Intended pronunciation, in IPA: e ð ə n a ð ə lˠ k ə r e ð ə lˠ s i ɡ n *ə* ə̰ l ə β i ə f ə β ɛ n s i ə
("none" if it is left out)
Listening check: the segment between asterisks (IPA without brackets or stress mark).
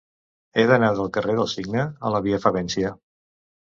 ə